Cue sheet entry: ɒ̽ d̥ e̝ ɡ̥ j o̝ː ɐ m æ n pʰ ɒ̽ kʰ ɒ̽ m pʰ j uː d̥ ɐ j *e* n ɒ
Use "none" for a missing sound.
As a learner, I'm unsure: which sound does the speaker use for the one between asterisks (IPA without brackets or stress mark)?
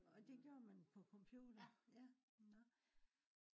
æ